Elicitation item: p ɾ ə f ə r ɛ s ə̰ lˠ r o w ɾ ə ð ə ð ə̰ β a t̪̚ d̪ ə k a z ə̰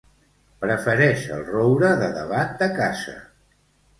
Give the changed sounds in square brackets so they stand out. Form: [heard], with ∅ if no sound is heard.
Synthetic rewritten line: p ɾ ə f ə [ɾ] ɛ [ʃ] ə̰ lˠ r o w ɾ ə ð ə ð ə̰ β a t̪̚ d̪ ə k a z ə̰